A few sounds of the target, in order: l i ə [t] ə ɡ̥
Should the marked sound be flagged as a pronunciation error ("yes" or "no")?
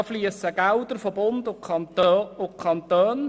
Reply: yes